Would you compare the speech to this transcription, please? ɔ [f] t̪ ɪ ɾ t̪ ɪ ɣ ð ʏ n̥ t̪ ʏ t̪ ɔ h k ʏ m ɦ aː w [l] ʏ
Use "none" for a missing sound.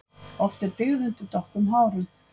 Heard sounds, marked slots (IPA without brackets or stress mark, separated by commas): f, ɾ